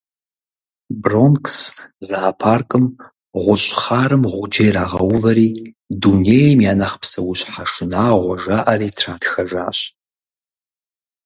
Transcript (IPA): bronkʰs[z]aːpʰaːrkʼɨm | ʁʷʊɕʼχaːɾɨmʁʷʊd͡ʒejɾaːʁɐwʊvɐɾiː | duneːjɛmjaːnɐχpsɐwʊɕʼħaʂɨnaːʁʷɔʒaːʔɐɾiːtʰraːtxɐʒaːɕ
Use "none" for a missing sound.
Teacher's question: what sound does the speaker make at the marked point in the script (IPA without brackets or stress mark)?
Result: z